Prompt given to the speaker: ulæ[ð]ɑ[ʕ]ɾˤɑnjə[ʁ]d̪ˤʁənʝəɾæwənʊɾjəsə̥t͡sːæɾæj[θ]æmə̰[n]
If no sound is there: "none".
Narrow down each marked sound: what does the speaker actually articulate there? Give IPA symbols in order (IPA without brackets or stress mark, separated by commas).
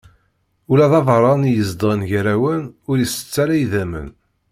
ð, v, z, ð, n